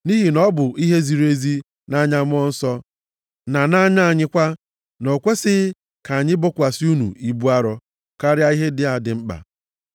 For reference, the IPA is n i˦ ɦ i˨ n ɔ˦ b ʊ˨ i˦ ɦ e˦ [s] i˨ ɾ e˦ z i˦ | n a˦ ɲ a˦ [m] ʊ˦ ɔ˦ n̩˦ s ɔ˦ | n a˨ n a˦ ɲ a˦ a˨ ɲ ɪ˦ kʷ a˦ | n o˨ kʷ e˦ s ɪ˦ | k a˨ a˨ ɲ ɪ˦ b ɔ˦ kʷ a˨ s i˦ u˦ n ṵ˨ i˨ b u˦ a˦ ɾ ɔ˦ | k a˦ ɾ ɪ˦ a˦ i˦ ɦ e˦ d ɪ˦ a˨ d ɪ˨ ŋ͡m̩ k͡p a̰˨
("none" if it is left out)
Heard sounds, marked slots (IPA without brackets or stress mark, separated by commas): z, m